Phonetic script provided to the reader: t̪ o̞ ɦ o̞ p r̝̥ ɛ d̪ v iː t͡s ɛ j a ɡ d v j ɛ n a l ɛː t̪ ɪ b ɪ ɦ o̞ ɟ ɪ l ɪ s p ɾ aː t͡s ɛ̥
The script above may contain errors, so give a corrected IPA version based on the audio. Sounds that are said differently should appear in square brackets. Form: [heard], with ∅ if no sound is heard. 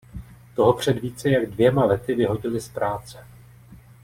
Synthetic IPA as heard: t̪ o̞ ɦ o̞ p r̝̥ ɛ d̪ v iː t͡s ɛ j a ɡ d v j ɛ [m] a l [ɛ] t̪ ɪ [v] ɪ ɦ o̞ ɟ ɪ l ɪ s p ɾ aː t͡s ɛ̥